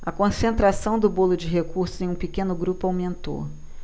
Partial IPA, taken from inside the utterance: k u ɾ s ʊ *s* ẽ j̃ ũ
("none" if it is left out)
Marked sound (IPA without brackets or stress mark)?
z